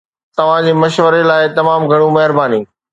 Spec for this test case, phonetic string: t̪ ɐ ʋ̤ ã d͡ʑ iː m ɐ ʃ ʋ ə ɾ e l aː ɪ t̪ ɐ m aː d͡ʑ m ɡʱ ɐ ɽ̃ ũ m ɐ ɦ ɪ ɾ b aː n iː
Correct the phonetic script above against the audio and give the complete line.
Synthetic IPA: t̪ ɐ ʋ̤ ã d͡ʑ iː m ɐ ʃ ʋ ə ɾ e l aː ɪ t̪ ɐ m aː m ɡʱ ɐ ɽ̃ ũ m ɐ ɦ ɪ ɾ b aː n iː